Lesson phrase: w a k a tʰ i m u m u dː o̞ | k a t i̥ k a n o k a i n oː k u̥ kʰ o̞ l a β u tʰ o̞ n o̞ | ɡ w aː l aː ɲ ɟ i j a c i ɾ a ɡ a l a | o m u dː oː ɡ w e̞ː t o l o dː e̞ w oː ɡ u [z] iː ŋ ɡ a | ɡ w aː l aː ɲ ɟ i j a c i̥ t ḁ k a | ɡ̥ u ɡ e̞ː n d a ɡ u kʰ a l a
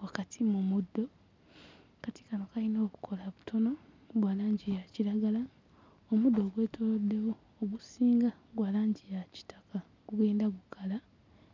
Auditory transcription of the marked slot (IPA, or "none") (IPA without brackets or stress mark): s